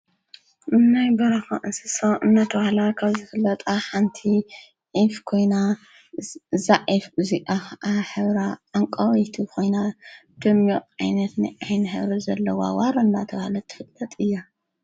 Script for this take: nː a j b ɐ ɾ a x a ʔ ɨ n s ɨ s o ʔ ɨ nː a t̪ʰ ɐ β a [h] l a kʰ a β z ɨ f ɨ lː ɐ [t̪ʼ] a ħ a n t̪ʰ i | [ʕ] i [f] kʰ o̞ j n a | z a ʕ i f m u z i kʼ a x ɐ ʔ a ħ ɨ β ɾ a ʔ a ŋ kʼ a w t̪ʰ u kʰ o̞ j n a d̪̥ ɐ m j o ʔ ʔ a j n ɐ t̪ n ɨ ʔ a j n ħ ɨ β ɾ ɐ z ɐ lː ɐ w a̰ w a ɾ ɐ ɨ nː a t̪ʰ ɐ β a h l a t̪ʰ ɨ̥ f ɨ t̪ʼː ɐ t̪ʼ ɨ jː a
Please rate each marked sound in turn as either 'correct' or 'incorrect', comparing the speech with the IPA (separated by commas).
correct, correct, correct, correct